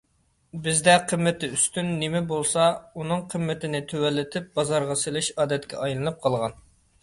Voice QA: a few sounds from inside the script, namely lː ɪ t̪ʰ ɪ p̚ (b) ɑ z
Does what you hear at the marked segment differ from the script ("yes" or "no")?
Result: no